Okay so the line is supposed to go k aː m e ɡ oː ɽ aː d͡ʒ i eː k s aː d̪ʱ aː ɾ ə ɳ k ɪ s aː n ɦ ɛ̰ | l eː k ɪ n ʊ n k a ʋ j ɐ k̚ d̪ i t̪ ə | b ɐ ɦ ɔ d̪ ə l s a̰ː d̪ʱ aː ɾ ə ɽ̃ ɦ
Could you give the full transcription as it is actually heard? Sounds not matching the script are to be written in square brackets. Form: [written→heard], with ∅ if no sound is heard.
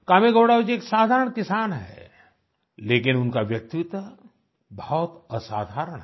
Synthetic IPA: k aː m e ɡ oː ɽ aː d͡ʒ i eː k s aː d̪ʱ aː ɾ ə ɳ k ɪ s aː n ɦ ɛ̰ | l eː k ɪ n ʊ n k a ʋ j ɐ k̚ [d̪→t̪] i t̪ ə | b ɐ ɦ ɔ [d̪→t̪] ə [l→∅] s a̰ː d̪ʱ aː ɾ ə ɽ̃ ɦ